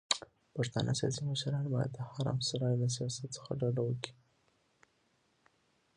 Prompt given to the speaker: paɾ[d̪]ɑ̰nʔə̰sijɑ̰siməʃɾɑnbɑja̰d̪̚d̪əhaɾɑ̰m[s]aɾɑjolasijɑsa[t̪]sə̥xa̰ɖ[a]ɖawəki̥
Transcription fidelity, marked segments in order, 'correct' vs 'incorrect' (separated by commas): incorrect, correct, correct, correct